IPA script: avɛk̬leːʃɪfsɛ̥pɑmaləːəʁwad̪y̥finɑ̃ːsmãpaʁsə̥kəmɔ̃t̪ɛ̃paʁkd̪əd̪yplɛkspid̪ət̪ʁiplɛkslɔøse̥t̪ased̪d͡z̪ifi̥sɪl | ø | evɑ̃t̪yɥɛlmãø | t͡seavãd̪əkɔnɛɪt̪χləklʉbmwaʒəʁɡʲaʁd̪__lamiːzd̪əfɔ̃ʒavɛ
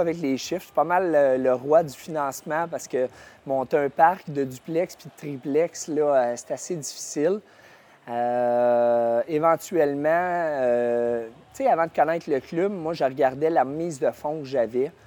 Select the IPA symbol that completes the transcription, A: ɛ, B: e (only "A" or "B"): A